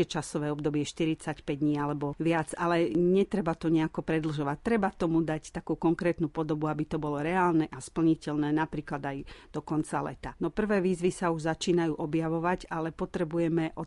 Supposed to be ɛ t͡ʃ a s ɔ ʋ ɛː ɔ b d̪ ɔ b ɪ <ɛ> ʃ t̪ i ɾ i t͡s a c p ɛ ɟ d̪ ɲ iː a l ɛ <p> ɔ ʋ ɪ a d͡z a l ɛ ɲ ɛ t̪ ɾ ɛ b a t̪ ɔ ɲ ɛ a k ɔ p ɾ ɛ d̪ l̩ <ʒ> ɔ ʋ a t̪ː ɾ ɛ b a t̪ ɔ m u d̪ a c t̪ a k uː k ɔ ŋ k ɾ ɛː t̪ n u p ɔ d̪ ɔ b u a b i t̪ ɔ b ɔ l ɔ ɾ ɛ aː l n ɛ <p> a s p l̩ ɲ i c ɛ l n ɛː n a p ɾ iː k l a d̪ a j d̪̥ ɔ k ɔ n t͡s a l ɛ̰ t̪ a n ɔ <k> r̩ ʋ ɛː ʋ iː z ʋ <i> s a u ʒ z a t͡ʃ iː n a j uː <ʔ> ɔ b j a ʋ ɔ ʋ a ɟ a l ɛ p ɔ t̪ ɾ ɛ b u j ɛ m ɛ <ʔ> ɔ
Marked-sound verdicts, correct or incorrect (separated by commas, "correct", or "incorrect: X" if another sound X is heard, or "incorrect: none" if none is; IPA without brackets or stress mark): correct, incorrect: b, correct, incorrect: ʔ, incorrect: p, correct, correct, correct